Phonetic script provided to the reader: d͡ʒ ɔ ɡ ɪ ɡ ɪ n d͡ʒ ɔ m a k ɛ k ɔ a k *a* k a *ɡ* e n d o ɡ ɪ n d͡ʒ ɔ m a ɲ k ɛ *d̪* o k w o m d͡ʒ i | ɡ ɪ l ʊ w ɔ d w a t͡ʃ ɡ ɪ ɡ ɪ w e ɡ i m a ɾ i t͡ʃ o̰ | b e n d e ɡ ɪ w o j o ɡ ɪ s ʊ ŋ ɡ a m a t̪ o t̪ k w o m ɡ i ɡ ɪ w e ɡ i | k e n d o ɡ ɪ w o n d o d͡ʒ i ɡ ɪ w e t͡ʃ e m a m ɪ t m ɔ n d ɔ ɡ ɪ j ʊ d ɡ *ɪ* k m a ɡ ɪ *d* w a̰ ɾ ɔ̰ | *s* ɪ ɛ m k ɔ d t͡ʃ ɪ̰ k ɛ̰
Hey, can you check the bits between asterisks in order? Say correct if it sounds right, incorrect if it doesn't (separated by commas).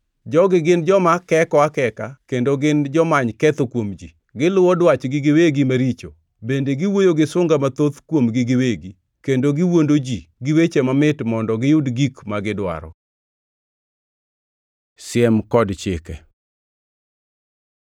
incorrect, incorrect, incorrect, incorrect, correct, correct